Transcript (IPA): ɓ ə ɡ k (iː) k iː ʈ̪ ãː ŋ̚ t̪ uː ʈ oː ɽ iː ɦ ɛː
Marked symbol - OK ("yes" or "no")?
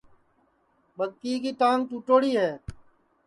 yes